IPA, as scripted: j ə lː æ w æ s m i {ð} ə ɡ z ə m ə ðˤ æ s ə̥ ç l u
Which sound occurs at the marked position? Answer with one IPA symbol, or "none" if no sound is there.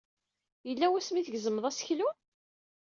θ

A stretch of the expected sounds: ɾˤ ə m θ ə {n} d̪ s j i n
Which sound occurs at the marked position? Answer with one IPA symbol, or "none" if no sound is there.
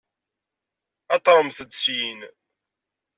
none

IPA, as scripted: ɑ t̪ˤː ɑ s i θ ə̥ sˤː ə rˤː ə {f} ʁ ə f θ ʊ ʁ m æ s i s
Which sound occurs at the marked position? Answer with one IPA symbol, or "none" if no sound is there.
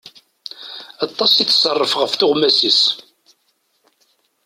f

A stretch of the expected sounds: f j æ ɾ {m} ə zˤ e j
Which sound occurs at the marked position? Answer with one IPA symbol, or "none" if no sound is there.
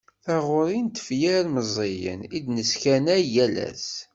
m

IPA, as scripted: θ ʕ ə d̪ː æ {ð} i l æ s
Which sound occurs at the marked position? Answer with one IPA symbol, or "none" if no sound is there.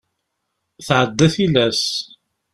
θ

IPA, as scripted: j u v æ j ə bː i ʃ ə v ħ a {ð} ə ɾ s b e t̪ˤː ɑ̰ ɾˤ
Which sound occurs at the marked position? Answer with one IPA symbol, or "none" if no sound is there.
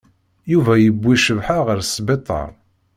ʁ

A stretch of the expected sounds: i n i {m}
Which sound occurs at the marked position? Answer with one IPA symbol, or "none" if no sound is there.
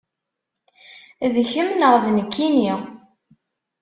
none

